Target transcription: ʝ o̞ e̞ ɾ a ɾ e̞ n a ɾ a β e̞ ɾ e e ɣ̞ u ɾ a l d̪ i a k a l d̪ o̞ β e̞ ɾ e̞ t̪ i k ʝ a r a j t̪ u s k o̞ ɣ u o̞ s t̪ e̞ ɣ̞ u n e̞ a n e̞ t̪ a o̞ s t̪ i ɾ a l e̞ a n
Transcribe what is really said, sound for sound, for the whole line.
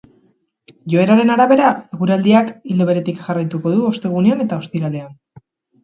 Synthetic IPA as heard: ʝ o̞ e̞ ɾ a ɾ e̞ n a ɾ a β e̞ ɾ a e ɣ̞ u ɾ a l d̪ i a k i l d̪ o̞ β e̞ ɾ e̞ t̪ i k ʝ a r a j t̪ u k o̞ ð u o̞ s t̪ e̞ ɣ̞ u n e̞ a n e̞ t̪ a o̞ s t̪ i ɾ a l e̞ a n